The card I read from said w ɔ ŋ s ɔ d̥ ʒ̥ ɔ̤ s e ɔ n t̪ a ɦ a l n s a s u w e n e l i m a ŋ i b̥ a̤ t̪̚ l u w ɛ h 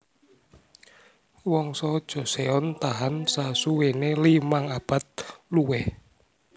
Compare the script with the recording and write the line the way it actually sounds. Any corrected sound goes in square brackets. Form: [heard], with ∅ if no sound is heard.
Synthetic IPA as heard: w ɔ ŋ s ɔ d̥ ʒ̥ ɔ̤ s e ɔ n t̪ a ɦ a [∅] n s a s u w e n e l i m a ŋ [a] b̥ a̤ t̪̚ l u w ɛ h